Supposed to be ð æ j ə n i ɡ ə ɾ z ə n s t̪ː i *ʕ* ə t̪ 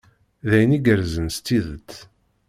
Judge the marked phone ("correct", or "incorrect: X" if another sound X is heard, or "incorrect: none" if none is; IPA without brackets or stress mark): incorrect: ð